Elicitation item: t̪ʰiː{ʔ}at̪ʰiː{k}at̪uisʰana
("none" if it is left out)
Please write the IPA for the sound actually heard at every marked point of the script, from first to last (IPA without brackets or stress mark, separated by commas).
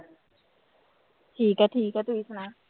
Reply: k, k